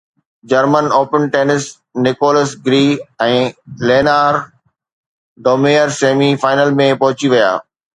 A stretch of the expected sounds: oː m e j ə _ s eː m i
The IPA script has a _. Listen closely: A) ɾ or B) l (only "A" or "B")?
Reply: A